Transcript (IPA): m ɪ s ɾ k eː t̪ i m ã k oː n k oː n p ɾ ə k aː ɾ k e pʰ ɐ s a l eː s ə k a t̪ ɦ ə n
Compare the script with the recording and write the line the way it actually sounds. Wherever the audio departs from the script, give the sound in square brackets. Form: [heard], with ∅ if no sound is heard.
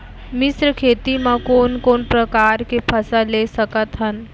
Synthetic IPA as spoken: m ɪ s ɾ [kʰ] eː t̪ i m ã k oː n k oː n p ɾ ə k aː ɾ k e pʰ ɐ s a l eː s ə k [ə] t̪ ɦ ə n